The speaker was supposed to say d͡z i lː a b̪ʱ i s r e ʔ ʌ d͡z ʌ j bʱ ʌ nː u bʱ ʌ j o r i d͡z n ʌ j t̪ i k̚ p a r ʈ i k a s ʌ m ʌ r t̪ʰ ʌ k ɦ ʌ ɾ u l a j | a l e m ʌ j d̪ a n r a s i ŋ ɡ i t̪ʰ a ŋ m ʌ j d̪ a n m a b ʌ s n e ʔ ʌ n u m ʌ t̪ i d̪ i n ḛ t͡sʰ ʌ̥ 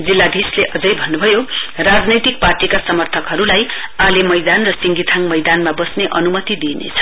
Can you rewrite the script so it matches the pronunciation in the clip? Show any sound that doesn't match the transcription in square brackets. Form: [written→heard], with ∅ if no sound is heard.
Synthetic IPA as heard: d͡z i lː a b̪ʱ i s [r→l] e ʔ ʌ d͡z ʌ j bʱ ʌ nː u bʱ ʌ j o r [i→a] d͡z n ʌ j t̪ i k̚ p a r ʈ i k a s ʌ m ʌ r t̪ʰ ʌ k ɦ ʌ ɾ u l a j | a l e m ʌ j d̪ a n r [a→ʌ] s i ŋ ɡ i t̪ʰ a ŋ m ʌ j d̪ a n m a b ʌ s n e ʔ ʌ n u m ʌ t̪ i d̪ i n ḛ t͡sʰ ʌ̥